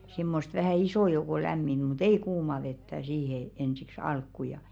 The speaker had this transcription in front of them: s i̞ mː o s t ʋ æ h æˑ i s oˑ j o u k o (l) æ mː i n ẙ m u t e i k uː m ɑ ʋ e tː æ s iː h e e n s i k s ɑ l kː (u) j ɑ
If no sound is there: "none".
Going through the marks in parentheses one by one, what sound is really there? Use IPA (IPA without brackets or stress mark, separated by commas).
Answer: l, u